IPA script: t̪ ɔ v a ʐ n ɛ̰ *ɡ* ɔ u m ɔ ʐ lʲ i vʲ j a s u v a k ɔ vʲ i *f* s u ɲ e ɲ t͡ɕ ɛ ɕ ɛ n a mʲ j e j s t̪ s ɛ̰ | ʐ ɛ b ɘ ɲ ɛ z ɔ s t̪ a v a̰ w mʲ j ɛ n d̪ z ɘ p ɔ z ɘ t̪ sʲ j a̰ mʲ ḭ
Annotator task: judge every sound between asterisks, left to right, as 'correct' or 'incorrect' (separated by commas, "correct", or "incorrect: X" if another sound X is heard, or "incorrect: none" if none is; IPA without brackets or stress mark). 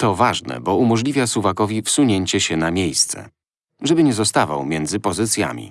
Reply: incorrect: b, correct